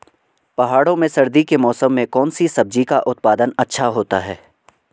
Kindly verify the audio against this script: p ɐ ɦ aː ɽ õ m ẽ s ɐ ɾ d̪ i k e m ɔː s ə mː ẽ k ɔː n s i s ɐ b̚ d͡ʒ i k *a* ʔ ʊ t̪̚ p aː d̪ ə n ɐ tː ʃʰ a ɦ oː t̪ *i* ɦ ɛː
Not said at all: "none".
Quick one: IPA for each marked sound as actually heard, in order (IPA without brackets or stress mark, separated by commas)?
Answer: a, a